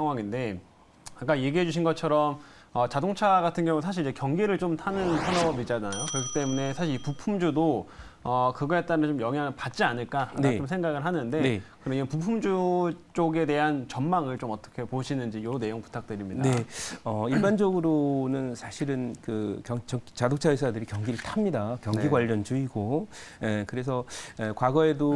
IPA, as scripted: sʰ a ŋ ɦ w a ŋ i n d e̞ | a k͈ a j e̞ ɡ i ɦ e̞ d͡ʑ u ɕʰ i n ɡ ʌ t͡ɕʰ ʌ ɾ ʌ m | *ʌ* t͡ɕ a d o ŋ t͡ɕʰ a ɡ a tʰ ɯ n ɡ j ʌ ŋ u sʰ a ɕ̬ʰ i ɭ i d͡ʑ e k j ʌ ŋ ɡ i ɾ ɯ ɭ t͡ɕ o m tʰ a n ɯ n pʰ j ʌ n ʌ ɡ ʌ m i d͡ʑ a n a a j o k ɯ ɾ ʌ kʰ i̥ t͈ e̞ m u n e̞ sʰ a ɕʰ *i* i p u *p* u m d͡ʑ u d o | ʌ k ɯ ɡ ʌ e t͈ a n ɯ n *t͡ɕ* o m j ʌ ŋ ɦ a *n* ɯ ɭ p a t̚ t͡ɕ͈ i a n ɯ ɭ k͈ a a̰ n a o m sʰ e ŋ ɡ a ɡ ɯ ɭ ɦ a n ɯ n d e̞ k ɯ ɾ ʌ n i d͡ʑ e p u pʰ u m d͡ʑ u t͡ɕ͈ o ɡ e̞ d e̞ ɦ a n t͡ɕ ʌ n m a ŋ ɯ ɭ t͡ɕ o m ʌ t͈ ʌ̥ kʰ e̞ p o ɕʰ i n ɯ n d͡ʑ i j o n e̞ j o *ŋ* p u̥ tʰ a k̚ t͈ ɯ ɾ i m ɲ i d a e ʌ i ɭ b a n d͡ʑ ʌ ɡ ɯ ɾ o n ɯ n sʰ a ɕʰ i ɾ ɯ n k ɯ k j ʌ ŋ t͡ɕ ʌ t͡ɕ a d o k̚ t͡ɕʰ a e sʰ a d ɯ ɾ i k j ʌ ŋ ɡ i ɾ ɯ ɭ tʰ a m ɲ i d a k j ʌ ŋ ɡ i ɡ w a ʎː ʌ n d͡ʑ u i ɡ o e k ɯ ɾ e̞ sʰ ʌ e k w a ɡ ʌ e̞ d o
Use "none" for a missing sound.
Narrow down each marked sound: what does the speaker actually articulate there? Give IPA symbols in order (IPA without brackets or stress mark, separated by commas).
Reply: ʌ, i, pʰ, t͡ɕ, ŋ, ŋ